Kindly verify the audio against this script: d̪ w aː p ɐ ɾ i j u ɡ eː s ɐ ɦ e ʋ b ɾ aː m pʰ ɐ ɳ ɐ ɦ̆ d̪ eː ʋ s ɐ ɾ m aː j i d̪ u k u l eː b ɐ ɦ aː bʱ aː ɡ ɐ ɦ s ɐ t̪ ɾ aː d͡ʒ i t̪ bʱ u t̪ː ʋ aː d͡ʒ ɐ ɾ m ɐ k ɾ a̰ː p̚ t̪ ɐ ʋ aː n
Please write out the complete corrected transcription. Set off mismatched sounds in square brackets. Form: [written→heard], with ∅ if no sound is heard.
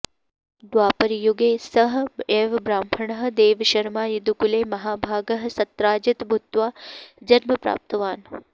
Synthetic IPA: d̪ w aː p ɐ ɾ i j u ɡ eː s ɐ ɦ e ʋ b ɾ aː m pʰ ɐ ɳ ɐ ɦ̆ d̪ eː ʋ [s→ʃ] ɐ ɾ m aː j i d̪ u k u l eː [b→m] ɐ ɦ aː bʱ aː ɡ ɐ ɦ s ɐ t̪ ɾ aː d͡ʒ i t̪ bʱ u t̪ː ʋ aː d͡ʒ ɐ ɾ m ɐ [k→p] ɾ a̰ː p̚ t̪ ɐ ʋ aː n